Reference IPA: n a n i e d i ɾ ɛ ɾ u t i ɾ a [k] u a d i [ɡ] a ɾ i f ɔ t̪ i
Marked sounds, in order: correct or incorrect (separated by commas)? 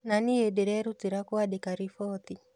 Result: correct, incorrect